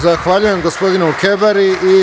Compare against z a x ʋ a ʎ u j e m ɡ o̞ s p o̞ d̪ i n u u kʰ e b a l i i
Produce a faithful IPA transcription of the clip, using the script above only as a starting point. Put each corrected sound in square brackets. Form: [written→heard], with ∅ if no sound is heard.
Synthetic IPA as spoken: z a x ʋ a ʎ u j e m ɡ o̞ s p o̞ d̪ i n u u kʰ e b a [l→ɾ] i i